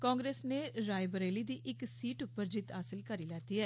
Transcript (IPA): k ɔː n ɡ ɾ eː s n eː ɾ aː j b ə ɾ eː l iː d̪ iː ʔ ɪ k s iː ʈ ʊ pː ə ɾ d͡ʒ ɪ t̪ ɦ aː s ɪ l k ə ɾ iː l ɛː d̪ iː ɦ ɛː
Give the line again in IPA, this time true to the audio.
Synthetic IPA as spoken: k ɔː ŋ ɡ ɾ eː s n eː ɾ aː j b ə ɾ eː l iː d̪ iː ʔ ɪ k s iː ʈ ʊ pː ə ɾ d͡ʒ ɪ t̪ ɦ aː s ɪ l k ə ɾ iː l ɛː t̪ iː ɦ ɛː